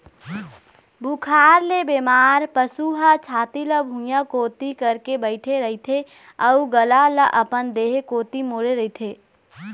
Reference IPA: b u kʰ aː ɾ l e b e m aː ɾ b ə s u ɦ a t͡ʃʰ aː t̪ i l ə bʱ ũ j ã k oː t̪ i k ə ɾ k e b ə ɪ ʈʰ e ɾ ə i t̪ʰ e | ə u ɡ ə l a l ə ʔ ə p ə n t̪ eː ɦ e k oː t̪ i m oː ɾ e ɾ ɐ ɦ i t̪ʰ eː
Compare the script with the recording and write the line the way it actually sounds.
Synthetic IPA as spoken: b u kʰ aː ɾ l e b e m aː ɾ p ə s u ɦ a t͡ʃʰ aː t̪ i l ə bʱ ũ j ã k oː t̪ i k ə ɾ k e b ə ɪ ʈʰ e ɾ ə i t̪ʰ e | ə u ɡ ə l a l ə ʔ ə p ə n d̪ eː ɦ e k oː t̪ i m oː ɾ e ɾ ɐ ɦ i t̪ʰ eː